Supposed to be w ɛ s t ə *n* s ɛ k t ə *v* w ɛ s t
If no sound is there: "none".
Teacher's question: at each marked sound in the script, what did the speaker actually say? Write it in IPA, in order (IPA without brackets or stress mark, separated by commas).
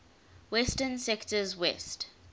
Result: n, z